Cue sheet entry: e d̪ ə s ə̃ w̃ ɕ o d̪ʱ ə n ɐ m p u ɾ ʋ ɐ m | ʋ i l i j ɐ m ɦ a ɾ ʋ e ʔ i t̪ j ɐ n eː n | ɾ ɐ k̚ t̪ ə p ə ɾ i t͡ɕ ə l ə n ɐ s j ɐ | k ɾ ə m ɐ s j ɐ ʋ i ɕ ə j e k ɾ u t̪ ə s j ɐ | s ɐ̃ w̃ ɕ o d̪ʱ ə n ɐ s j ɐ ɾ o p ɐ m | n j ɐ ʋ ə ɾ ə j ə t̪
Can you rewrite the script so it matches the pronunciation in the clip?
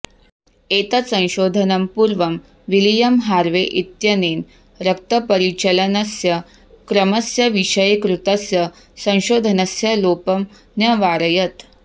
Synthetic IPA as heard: e t̪ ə s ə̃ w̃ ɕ o d̪ʱ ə n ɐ m p u ɾ ʋ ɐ m | ʋ i l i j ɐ m ɦ a ɾ ʋ e ʔ i t̪ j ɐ n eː n | ɾ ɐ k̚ t̪ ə p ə ɾ i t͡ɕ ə l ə n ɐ s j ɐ | k ɾ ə m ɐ s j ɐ ʋ i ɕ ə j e k ɾ u t̪ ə s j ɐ | s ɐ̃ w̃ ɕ o d̪ʱ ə n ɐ s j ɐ l o p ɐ m | n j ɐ ʋ a ɾ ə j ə t̪